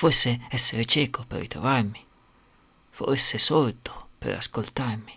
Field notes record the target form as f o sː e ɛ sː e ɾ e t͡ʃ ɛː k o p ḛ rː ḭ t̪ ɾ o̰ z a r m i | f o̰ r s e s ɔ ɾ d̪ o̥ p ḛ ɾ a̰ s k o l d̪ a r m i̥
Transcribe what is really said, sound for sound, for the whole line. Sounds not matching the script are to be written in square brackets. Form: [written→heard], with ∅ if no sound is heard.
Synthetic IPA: f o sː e ɛ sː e ɾ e t͡ʃ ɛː k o p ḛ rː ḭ t̪ ɾ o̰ [z→v] a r m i | f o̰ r s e s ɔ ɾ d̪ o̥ p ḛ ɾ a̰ s k o l [d̪→t̪] a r m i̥